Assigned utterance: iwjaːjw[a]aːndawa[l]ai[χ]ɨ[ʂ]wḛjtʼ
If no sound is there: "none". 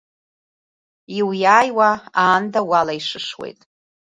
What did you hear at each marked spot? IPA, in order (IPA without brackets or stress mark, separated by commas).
a, l, ʂ, ʂ